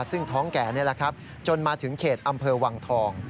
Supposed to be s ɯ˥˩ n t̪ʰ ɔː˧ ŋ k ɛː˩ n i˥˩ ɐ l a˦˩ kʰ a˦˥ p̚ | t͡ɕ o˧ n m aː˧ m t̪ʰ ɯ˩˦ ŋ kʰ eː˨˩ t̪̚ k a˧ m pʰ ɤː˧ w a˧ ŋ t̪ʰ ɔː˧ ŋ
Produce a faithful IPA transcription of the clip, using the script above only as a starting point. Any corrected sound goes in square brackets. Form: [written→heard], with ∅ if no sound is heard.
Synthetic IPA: s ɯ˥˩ [n→ŋ] t̪ʰ [ɔː˧→ɔː˦˥] ŋ k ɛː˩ n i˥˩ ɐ l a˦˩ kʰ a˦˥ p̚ | t͡ɕ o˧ n m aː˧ [m→∅] t̪ʰ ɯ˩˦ ŋ kʰ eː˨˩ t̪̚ [k→ʔ] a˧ m pʰ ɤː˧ w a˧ ŋ t̪ʰ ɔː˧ ŋ